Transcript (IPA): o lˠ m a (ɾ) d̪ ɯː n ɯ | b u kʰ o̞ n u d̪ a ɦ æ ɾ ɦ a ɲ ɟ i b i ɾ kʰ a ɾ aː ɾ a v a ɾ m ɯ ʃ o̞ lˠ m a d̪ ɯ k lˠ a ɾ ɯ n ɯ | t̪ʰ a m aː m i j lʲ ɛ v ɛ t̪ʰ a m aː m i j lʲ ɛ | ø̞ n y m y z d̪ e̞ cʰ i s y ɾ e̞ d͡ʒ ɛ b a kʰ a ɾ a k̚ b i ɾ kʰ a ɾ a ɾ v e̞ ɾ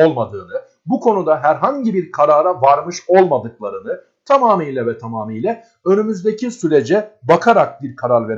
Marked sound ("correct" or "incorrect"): incorrect